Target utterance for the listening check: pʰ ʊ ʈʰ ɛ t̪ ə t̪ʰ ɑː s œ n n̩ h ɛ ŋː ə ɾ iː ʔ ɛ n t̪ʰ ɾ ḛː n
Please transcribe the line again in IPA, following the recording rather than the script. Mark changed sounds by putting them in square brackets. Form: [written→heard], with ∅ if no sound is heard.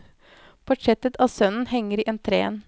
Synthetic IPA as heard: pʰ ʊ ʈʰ ɛ t̪ ə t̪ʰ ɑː s œ n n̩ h ɛ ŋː ə ɾ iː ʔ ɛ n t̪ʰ ɾ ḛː n